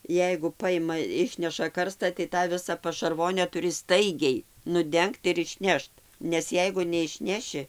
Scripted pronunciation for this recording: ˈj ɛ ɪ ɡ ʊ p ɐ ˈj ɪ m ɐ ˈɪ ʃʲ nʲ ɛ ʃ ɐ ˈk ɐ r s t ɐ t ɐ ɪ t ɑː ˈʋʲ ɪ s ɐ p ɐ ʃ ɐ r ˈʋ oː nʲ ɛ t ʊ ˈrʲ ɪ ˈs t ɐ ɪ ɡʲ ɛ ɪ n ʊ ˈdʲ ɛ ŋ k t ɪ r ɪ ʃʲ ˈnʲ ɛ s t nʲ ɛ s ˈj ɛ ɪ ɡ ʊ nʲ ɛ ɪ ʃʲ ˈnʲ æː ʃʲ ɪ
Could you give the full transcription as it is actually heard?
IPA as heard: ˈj ɛ ɪ ɡ ʊ p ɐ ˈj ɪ m ɐ ˈɪ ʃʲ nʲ ɛ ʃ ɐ ˈk ɐ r s t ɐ t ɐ ɪ t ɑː ˈʋʲ ɪ s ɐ p ɐ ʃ ɐ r ˈʋ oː nʲ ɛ t ʊ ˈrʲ ɪ ˈs t ɐ ɪ ɡʲ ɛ ɪ n ʊ ˈdʲ ɛ ŋ k t ɪ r ɪ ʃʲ ˈnʲ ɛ ʃ t nʲ ɛ s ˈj ɛ ɪ ɡ ʊ nʲ ɛ ɪ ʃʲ ˈnʲ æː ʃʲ ɪ